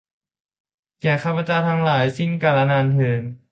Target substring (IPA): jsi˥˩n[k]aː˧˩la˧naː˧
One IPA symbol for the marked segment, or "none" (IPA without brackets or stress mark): k